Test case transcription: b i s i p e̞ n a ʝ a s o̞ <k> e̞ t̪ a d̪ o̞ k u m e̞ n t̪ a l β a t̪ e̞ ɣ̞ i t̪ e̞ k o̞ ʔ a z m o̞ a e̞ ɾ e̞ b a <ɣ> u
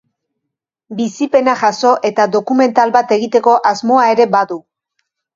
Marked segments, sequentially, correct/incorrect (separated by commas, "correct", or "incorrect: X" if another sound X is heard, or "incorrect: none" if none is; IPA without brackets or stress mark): incorrect: ʔ, incorrect: ð